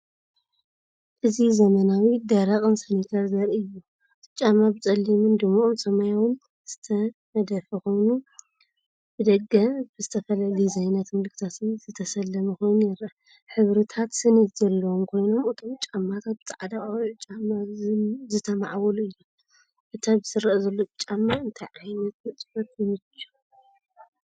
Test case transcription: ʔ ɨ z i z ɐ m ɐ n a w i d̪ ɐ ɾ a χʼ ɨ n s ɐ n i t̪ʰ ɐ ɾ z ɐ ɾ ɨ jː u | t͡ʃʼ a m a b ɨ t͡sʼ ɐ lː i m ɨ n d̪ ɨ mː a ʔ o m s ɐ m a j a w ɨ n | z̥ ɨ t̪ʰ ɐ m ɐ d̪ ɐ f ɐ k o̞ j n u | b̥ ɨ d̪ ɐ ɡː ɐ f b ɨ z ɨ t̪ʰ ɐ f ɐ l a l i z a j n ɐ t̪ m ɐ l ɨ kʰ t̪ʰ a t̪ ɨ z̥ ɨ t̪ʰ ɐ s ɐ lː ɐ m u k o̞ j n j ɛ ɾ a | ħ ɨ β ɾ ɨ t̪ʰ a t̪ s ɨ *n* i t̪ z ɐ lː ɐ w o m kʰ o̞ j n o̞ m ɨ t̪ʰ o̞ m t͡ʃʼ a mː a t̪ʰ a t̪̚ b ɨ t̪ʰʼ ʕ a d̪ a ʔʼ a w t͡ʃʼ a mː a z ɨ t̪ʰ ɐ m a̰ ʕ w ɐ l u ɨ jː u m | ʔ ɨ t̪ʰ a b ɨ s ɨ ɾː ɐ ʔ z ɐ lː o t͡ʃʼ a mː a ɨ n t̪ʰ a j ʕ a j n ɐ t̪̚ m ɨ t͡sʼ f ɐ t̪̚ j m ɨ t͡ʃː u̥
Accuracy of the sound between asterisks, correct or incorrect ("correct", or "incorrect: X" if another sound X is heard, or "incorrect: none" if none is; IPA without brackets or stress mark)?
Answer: correct